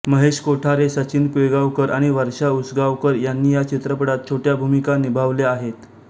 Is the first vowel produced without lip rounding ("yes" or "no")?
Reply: yes